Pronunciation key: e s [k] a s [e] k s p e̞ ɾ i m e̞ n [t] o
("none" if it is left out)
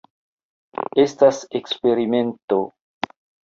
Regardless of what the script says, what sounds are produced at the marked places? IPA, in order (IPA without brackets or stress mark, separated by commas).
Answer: t, e, t